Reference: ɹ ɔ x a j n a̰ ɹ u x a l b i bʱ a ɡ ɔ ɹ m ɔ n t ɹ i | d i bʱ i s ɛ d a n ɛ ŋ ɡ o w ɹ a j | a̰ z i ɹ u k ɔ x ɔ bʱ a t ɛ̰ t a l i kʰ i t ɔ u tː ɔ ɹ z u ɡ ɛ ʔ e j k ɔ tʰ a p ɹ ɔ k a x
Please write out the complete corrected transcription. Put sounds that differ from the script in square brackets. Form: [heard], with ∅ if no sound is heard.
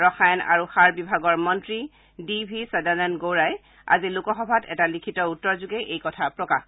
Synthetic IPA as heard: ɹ ɔ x a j n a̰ ɹ u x a [ɹ] b i bʱ a ɡ ɔ ɹ m ɔ n t ɹ i | d i bʱ i s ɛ d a n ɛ [n] ɡ o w ɹ a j | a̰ z i [l] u k ɔ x ɔ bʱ a t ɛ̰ t a l i kʰ i t ɔ u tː ɔ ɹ z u ɡ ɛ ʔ e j k ɔ tʰ a p ɹ ɔ k a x